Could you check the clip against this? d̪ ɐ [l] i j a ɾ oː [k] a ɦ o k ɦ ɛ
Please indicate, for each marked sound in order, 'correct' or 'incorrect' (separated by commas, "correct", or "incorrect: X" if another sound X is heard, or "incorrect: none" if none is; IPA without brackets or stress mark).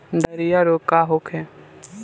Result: incorrect: ɾ, correct